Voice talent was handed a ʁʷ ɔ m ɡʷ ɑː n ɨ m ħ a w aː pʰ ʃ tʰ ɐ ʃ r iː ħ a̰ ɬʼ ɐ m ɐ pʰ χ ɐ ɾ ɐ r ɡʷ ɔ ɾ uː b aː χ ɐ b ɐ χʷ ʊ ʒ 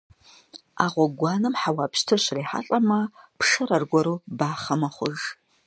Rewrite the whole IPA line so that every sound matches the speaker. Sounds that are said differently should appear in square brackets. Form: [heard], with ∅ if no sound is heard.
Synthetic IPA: a ʁʷ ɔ [∅] ɡʷ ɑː n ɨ m ħ a w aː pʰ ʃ tʰ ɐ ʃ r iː ħ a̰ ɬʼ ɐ m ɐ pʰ [ʂ] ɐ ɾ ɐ r ɡʷ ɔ ɾ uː b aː χ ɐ [m] ɐ χʷ ʊ ʒ